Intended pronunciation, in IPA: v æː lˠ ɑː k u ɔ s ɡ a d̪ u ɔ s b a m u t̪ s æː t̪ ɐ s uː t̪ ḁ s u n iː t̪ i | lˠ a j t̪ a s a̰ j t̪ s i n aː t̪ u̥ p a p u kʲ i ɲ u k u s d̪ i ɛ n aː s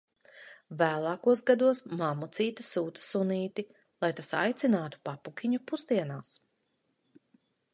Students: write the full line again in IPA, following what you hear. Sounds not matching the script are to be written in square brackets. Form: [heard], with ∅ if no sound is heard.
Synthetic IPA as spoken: v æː lˠ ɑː k u ɔ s ɡ a d̪ u ɔ s [m] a m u t̪ s [iː] t̪ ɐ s uː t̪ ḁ s u n iː t̪ i | lˠ a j t̪ a s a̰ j t̪ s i n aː t̪ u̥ p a p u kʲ i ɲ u [p] u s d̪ i ɛ n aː s